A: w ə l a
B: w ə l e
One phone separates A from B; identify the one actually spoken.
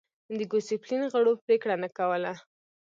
A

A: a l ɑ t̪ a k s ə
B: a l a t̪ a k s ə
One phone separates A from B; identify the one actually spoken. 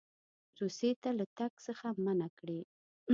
B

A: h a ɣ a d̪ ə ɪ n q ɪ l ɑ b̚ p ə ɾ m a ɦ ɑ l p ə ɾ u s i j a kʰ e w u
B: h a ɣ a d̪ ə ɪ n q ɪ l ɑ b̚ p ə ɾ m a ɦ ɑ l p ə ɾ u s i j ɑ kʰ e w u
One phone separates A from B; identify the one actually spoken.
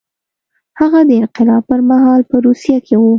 A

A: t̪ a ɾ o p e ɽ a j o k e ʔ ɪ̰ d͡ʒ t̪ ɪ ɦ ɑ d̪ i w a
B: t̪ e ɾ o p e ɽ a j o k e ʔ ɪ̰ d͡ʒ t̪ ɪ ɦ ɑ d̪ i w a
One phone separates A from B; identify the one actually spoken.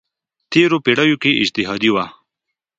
B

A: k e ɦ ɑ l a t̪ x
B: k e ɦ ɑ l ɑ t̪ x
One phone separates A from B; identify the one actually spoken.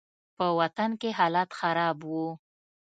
A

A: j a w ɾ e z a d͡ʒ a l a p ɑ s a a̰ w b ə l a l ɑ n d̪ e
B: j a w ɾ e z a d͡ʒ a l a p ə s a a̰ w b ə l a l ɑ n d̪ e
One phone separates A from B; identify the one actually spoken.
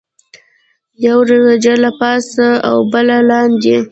A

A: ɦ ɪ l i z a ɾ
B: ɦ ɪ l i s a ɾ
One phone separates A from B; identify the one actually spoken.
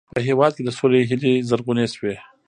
A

